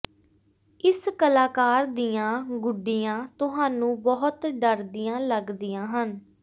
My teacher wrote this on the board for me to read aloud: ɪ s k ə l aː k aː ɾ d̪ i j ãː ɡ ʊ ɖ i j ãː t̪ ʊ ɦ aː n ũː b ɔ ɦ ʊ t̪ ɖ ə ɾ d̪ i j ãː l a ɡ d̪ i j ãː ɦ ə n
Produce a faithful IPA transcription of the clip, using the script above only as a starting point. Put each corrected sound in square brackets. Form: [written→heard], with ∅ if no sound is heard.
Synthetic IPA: ɪ s k ə l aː k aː ɾ d̪ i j ãː ɡ ʊ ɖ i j ãː t̪ ʊ ɦ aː n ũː b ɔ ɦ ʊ t̪ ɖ ə ɾ d̪ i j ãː l [a→ə] ɡ d̪ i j ãː ɦ ə n